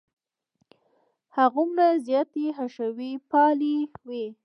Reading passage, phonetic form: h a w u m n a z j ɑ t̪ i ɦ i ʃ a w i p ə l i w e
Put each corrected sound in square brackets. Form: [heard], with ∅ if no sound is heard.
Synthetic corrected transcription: h a [ɣ] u m n a z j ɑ t̪ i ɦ [a] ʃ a w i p [ɑ] l i w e